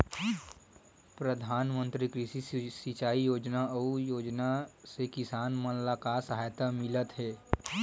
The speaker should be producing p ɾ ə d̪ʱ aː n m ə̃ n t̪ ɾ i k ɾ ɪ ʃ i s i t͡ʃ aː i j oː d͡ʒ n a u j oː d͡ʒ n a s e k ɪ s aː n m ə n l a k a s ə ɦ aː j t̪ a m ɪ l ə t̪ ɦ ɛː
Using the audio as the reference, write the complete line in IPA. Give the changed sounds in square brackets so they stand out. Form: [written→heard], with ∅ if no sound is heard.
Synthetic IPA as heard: p ɾ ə d̪ʱ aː n m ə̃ n t̪ ɾ i k ɾ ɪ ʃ i s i t͡ʃ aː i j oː d͡ʒ n a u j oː d͡ʒ n a s e k ɪ s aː n m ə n l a k a s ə ɦ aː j t̪ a m ɪ l ə t̪ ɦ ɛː